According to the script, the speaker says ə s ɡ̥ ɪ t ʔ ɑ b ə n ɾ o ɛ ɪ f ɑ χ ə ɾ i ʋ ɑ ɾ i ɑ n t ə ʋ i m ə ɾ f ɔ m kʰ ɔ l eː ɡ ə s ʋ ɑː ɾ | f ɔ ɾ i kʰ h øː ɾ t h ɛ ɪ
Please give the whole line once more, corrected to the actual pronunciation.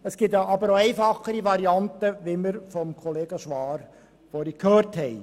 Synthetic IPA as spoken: ə s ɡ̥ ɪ t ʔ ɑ b ə ɾ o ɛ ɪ f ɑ χ ə ɾ i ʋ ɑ ɾ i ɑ n t ə ʋ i m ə ɾ f ɔ m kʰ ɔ l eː ɡ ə ʃ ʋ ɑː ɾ | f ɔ ɾ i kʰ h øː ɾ t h ɛ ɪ